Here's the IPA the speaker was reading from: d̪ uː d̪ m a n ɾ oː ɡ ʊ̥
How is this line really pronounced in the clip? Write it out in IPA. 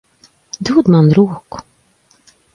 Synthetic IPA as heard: d̪ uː d̪ m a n ɾ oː k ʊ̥